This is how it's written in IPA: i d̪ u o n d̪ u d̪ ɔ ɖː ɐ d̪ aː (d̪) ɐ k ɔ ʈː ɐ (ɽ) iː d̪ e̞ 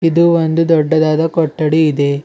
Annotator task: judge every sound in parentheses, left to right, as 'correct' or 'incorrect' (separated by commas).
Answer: correct, correct